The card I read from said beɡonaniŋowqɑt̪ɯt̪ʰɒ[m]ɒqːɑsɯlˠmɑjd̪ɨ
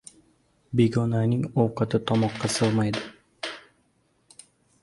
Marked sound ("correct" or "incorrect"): correct